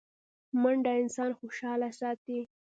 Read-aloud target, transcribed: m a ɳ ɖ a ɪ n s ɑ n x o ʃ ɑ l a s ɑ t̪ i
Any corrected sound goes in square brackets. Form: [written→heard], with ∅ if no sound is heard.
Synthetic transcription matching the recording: m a ɳ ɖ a ɪ n s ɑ n x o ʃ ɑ l a s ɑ t̪ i